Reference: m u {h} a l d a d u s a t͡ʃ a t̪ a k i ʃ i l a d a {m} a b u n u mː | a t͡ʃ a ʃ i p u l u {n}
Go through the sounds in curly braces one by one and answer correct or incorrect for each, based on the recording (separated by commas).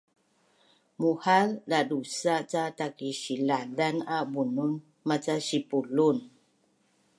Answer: correct, incorrect, correct